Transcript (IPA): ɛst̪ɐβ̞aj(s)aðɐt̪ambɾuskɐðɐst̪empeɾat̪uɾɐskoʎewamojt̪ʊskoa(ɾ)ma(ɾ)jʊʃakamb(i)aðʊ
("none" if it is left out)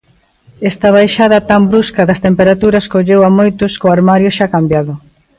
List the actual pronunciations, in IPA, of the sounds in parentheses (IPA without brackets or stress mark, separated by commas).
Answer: ʃ, ɾ, ɾ, j